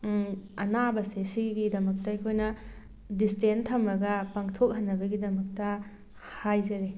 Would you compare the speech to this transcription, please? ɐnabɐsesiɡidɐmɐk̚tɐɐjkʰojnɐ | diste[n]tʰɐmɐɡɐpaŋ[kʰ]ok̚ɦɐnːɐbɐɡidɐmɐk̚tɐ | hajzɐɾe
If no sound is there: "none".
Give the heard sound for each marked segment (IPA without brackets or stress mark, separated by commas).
n, tʰ